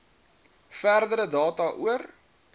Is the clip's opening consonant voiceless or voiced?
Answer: voiceless